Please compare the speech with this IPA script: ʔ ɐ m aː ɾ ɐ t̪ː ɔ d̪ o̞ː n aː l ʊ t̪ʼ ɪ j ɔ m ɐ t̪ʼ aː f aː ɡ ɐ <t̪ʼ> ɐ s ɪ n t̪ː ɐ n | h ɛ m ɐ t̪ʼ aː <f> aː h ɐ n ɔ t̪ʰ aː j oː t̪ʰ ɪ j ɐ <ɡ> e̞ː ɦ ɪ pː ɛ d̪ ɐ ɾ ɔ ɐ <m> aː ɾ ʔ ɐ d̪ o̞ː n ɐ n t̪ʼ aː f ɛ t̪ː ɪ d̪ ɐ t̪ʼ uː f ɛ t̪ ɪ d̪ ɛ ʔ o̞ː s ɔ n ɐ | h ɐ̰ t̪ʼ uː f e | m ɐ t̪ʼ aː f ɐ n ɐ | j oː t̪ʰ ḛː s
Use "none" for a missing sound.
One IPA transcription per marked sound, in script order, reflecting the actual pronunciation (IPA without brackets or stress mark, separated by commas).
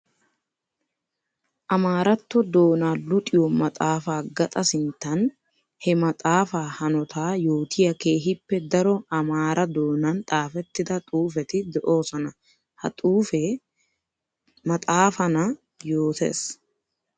t̪ʼ, f, k, m